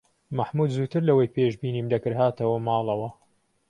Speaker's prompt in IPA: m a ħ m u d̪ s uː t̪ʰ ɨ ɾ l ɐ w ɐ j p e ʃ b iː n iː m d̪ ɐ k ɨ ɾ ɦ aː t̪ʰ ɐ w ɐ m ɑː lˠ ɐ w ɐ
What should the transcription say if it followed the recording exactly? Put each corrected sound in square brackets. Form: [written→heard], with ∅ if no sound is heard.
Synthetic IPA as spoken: m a ħ m u d̪ [s→z] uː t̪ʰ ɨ ɾ l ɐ w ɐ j p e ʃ b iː n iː m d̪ ɐ k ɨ ɾ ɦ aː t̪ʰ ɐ w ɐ m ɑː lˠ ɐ w ɐ